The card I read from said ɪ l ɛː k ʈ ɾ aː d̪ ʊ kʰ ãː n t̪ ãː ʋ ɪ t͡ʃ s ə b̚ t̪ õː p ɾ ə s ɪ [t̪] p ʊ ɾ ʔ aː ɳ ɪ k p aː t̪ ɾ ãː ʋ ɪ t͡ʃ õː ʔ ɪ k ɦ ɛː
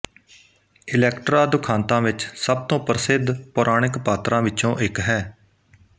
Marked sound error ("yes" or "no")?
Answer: yes